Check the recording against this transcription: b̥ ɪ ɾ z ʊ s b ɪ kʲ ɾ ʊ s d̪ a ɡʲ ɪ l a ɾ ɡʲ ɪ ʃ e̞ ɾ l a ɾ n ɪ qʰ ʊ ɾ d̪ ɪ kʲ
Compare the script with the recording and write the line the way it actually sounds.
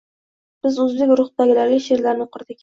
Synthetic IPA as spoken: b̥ ɪ z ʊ z b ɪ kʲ ɾ ʊ χ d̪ a ɡʲ ɪ l a ɾ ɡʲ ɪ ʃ e̞ ɾ l a ɾ n ɪ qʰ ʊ ɾ d̪ ɪ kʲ